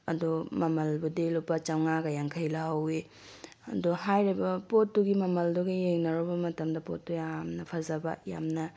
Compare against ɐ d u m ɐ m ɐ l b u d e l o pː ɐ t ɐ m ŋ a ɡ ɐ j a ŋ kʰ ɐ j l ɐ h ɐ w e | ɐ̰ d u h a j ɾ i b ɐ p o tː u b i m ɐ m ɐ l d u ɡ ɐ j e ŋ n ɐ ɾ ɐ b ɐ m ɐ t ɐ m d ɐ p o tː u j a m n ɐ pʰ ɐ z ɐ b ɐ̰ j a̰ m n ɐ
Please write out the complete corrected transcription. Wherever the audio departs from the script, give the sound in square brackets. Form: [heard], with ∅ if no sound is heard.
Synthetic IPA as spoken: ɐ d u m ɐ m ɐ l b u d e l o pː ɐ [t͡ʃ] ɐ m ŋ a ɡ ɐ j a ŋ kʰ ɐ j l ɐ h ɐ w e | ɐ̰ d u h a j ɾ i b ɐ p o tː u [ɡ] i m ɐ m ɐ l d u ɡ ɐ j e ŋ n ɐ ɾ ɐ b ɐ m ɐ t ɐ m d ɐ p o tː u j a m n ɐ pʰ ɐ z ɐ b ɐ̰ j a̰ m n ɐ